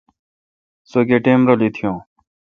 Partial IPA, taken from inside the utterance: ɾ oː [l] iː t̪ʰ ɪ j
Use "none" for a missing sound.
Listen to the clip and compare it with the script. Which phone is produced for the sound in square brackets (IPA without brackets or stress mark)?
l